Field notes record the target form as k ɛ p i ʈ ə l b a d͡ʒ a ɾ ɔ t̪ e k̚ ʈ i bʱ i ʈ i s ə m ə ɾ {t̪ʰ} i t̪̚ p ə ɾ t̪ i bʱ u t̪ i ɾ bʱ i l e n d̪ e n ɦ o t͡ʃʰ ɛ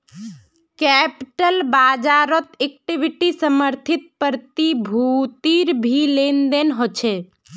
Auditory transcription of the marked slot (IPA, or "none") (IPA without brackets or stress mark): t̪ʰ